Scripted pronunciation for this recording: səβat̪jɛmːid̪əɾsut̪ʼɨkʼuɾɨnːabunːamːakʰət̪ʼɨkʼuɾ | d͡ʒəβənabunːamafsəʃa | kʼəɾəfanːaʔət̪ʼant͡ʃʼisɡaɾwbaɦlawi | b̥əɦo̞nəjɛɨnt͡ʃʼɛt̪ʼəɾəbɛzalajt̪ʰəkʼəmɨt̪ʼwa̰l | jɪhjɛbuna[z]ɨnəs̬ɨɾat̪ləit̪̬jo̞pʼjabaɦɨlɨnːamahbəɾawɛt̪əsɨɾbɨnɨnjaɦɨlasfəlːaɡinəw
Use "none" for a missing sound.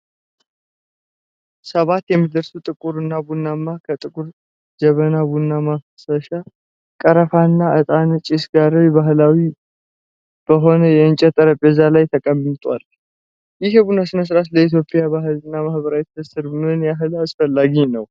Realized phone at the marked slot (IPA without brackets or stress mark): s